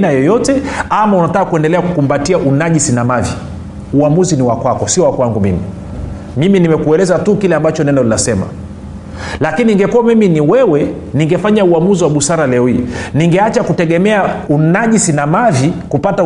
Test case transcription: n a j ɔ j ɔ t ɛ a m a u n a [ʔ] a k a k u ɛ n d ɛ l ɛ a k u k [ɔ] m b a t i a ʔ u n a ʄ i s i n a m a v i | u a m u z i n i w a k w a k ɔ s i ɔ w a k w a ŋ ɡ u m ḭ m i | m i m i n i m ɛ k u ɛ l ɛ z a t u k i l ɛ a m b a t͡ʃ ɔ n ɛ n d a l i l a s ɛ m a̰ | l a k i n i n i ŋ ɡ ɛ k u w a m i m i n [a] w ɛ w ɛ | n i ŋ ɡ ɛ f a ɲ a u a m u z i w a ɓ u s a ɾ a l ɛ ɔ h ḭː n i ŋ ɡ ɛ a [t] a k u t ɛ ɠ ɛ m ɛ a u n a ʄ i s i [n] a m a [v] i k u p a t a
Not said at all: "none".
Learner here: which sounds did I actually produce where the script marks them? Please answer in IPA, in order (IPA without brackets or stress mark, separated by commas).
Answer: t, u, i, t͡ʃ, n, v